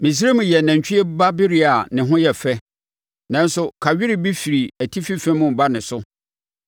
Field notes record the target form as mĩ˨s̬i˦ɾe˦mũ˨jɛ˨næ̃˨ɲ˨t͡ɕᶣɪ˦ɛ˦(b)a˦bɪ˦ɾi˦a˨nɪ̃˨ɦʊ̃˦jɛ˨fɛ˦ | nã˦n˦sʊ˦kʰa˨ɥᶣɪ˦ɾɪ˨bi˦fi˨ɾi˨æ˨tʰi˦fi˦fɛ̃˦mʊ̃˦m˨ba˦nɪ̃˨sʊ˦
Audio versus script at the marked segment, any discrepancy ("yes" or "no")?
no